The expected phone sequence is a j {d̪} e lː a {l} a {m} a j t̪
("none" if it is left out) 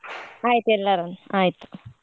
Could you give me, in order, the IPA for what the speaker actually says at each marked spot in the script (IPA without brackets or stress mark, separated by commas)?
t̪, ɾ, n